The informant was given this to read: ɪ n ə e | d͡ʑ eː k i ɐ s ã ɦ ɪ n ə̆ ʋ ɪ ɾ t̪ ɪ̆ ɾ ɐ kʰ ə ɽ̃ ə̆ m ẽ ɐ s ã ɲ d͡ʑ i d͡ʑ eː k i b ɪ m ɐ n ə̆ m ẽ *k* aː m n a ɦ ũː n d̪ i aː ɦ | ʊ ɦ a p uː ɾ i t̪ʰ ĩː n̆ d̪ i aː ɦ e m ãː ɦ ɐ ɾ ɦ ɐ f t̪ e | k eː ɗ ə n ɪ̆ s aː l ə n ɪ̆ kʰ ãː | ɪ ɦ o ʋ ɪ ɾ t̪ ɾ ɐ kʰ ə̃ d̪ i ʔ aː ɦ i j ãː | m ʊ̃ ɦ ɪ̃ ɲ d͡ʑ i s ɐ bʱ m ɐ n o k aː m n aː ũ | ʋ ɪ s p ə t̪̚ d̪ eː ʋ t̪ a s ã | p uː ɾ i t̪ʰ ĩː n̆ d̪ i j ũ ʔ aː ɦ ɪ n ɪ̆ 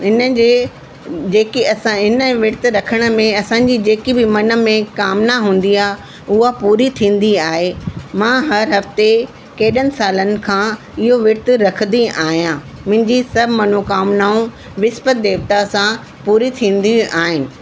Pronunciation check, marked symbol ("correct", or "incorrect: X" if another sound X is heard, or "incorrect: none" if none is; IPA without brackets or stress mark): correct